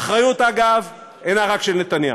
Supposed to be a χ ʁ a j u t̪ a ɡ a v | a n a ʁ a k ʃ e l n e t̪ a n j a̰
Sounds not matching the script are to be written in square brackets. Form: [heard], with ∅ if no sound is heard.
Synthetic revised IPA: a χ ʁ a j u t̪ a ɡ a v | [e] n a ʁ a k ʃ e l n e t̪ a n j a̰